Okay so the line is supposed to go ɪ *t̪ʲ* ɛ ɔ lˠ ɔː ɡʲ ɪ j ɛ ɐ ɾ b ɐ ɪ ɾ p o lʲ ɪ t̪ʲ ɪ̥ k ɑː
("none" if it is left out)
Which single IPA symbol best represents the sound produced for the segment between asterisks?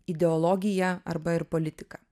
d̪ʲ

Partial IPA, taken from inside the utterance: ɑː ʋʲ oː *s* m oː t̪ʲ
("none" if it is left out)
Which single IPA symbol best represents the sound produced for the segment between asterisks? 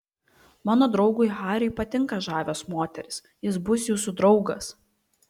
s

